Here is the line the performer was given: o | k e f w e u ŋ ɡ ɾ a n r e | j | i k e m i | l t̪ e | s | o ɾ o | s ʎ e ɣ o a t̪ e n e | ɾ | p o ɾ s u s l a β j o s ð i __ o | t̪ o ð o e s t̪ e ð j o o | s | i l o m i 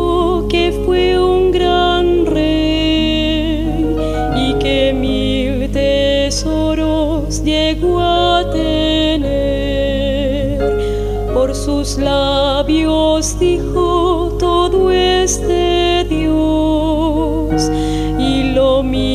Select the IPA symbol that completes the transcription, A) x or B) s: A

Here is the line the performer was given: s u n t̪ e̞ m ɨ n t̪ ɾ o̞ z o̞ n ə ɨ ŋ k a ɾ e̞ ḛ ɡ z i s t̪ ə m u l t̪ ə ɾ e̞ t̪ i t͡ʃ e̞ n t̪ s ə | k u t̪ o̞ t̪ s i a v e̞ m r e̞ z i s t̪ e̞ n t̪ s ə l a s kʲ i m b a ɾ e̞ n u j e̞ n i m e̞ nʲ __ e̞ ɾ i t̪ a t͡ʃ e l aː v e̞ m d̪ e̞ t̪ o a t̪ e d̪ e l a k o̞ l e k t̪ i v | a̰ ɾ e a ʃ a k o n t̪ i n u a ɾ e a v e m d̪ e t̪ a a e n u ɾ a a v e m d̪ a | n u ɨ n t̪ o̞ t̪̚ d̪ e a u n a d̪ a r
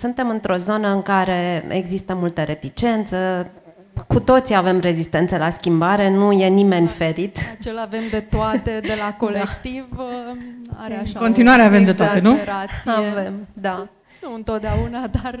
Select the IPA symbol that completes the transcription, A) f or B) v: A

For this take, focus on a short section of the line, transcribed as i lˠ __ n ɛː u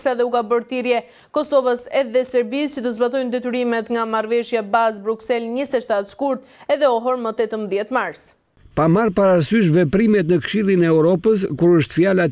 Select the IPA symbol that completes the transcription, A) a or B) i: B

